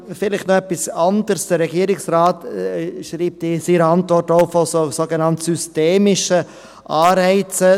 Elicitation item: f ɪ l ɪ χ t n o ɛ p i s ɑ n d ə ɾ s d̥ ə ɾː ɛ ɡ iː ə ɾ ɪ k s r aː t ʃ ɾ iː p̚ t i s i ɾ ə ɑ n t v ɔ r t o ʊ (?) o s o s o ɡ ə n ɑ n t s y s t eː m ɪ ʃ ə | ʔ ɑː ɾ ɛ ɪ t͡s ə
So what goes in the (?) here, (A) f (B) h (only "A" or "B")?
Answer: A